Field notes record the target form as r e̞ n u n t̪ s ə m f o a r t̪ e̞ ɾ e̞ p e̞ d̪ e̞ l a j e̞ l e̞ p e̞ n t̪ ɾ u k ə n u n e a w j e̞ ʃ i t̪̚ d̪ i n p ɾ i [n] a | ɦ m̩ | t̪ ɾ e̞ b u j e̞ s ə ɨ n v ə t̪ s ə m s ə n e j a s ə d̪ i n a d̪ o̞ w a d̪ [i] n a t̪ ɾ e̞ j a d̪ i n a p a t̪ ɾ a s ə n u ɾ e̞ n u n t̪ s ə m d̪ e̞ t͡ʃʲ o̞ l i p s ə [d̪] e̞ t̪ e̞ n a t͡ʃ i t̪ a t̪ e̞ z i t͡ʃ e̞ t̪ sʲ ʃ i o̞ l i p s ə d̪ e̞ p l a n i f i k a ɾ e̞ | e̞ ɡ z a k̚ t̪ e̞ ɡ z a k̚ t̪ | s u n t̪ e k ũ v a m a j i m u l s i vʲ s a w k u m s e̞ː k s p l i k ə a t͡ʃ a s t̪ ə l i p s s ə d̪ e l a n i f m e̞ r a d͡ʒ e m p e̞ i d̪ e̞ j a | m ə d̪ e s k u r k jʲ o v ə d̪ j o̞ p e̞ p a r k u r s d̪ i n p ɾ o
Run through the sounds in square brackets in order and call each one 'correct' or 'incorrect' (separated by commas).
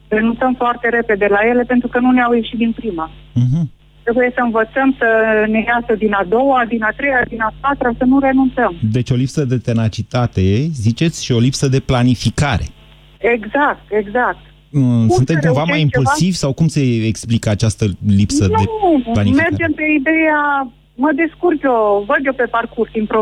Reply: incorrect, correct, correct